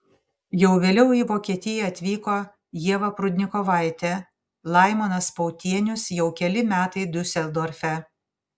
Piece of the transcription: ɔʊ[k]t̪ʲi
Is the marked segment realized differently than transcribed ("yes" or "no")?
yes